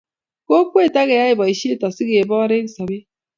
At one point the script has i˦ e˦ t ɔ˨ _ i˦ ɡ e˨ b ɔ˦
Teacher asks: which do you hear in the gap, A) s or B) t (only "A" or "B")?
A